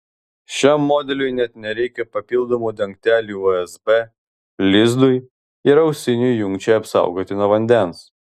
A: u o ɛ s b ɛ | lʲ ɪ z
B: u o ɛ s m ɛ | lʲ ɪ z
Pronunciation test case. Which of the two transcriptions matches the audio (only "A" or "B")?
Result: A